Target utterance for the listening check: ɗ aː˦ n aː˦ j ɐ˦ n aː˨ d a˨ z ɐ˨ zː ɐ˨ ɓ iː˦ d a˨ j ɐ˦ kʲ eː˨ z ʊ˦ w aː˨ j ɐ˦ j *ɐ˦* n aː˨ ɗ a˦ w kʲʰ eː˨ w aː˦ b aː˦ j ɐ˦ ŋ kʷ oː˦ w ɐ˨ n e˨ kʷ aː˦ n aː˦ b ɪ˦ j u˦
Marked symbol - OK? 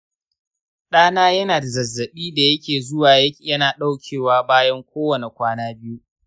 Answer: yes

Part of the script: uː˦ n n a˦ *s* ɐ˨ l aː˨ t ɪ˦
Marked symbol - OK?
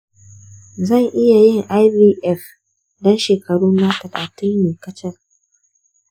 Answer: no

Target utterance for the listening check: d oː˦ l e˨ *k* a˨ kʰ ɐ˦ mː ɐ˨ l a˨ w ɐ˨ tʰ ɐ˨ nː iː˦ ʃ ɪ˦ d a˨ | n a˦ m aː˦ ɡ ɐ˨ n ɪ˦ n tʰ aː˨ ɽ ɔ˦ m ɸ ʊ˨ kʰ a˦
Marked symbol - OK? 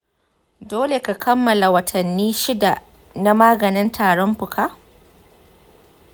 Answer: yes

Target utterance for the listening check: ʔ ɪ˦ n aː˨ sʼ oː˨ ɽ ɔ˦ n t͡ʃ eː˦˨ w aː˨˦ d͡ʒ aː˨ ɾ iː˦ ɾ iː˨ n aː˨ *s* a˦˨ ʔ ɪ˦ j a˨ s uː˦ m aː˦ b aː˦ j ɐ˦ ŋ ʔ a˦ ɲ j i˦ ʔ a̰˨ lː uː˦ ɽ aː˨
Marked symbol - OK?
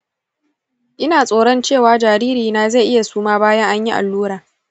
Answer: no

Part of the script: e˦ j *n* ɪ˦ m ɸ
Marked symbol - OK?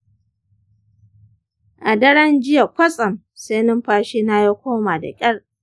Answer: yes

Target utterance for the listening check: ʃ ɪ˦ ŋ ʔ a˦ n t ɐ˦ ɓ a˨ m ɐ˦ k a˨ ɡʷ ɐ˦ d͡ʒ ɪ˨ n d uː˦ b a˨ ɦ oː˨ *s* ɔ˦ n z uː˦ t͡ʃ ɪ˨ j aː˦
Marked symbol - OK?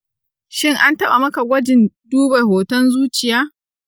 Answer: no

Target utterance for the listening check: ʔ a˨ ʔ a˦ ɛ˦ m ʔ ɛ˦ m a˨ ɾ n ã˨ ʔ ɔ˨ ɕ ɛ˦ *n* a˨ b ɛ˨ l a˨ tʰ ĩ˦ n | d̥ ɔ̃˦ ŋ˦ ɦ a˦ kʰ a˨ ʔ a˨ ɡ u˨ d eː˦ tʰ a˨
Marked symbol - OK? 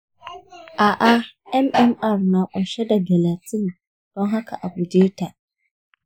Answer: no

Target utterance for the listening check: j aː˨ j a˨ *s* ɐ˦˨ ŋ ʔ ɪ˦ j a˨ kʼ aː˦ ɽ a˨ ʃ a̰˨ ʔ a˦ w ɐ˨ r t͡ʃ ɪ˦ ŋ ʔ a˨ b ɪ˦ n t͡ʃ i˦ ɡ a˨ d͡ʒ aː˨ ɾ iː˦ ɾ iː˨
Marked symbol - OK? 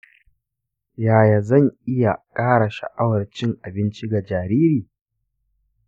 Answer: no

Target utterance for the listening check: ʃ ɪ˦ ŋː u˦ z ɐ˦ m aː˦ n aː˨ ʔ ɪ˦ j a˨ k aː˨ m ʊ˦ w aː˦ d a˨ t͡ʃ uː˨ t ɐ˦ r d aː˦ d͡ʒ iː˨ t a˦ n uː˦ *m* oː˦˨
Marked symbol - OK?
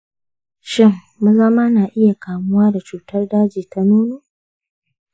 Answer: no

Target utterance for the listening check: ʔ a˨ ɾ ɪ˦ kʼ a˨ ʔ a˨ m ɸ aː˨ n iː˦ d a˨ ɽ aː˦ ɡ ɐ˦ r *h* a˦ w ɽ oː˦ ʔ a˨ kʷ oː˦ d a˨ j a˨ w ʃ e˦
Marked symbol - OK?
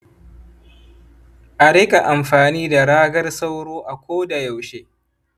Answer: no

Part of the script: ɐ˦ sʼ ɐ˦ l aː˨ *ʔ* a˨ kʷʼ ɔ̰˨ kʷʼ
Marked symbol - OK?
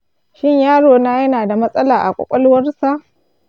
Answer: yes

